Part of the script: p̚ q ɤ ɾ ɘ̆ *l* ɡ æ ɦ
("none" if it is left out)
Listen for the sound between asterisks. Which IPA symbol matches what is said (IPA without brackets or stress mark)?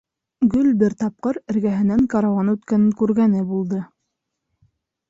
ɾ